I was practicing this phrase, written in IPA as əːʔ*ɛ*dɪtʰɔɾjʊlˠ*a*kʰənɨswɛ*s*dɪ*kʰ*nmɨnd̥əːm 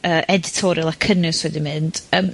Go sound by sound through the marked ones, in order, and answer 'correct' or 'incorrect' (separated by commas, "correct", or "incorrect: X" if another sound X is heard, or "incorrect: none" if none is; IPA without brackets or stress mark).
correct, correct, incorrect: none, incorrect: none